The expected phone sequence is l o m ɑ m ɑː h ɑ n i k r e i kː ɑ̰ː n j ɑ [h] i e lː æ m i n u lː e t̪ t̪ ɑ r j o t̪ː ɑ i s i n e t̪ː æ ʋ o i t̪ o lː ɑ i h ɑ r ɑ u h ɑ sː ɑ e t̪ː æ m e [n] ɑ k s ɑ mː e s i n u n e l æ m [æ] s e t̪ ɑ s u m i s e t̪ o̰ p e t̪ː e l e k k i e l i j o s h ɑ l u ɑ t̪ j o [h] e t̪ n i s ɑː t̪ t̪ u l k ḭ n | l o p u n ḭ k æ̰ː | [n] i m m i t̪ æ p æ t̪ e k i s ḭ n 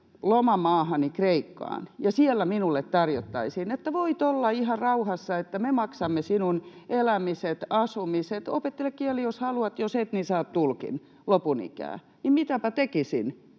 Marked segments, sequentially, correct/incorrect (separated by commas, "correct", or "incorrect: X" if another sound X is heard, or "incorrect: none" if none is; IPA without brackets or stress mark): incorrect: s, incorrect: m, incorrect: i, incorrect: s, correct